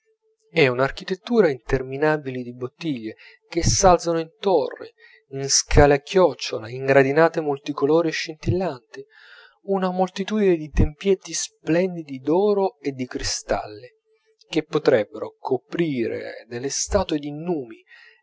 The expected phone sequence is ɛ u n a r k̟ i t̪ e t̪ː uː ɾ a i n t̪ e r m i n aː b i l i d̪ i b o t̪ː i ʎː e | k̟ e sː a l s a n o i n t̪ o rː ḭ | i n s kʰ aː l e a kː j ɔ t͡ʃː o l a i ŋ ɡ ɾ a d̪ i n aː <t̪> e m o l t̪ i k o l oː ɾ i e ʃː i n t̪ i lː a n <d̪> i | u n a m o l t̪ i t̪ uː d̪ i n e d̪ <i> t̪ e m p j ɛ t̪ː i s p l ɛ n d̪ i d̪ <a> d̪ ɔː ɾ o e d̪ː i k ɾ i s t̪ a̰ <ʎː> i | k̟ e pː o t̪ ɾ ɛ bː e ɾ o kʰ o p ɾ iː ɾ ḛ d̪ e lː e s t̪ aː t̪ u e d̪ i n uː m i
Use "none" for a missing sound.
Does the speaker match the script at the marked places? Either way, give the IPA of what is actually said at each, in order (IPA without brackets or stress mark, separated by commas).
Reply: t̪, t̪, i, i, lː